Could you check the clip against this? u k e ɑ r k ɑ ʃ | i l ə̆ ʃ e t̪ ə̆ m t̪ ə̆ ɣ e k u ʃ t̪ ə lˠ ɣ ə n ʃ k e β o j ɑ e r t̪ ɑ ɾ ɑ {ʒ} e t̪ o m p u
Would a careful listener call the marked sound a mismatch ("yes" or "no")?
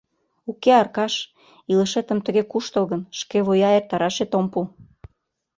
yes